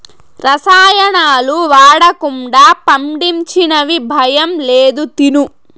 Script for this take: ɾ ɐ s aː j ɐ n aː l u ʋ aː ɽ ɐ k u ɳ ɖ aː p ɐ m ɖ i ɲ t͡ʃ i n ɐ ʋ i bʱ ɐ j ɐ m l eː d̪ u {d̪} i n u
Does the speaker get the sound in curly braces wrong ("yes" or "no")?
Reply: yes